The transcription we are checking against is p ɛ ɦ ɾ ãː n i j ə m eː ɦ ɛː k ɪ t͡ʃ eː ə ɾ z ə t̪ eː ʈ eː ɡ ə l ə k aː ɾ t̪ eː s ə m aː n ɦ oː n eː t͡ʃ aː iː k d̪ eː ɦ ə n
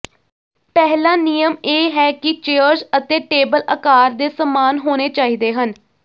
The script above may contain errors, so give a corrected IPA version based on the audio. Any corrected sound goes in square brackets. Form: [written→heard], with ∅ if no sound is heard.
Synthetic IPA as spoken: p ɛ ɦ [ɾ→l] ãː n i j ə m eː ɦ ɛː k ɪ t͡ʃ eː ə ɾ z ə t̪ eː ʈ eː [ɡ→b] ə l ə k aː ɾ [t̪→d̪] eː s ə m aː n ɦ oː n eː t͡ʃ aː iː [k→∅] d̪ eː ɦ ə n

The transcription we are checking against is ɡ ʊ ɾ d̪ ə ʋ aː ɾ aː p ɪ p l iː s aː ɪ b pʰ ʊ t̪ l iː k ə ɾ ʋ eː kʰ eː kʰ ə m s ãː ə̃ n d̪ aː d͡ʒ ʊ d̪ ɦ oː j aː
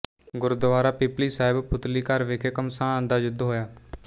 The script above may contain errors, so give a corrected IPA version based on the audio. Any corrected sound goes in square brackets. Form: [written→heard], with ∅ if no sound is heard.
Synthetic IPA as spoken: ɡ ʊ ɾ d̪ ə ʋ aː ɾ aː p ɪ p l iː s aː ɪ b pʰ ʊ t̪ l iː k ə ɾ ʋ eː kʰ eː [kʰ→k] ə m s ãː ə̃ n d̪ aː d͡ʒ ʊ d̪ ɦ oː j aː

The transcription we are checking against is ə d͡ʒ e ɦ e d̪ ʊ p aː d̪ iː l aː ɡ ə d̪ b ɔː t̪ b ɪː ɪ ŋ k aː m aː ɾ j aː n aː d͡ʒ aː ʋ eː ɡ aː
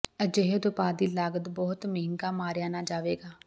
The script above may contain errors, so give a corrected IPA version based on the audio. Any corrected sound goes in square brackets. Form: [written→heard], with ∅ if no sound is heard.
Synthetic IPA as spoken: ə d͡ʒ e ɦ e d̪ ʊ p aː d̪ iː l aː ɡ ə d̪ b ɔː t̪ [b→m] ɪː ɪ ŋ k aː m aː ɾ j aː n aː d͡ʒ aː ʋ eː ɡ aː

